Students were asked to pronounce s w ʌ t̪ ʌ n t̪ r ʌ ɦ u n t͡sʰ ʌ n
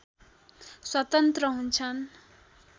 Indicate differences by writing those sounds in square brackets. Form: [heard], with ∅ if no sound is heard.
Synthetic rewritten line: s w ʌ t̪ ʌ n t̪ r ʌ ɦ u n t͡sʰ ʌ n